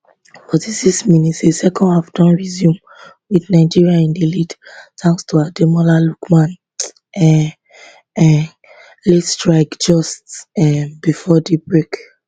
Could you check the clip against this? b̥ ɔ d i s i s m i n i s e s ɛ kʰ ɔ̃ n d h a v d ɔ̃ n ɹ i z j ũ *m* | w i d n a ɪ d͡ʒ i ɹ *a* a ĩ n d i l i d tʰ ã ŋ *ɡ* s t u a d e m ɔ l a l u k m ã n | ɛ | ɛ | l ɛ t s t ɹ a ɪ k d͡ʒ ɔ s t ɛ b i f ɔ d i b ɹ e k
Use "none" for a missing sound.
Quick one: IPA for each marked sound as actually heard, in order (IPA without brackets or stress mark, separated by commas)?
m, i, k